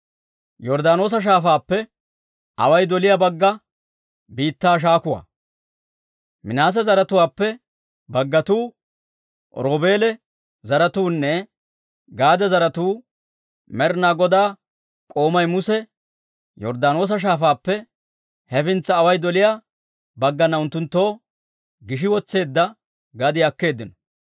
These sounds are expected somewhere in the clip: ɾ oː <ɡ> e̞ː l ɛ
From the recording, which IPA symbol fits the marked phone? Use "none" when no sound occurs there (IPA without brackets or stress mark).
b